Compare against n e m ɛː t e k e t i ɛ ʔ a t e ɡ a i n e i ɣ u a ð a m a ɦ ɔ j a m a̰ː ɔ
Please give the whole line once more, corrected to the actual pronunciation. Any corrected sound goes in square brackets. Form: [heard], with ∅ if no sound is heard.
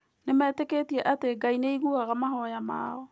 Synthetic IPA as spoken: n e m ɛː t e k e t i ɛ ʔ a t e ɡ a i n e i ɣ u a [ɣ] a m a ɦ ɔ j a m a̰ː ɔ